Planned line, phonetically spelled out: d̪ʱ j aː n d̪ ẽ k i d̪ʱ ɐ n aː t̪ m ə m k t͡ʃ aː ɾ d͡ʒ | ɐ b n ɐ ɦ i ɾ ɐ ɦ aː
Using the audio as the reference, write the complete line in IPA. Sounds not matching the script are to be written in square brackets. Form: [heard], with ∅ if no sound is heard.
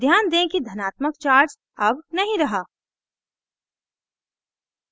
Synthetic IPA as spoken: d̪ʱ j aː n d̪ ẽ k i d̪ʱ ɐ n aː t̪ m ə [∅] k t͡ʃ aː ɾ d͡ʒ | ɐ b n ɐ ɦ [ĩ] ɾ ɐ ɦ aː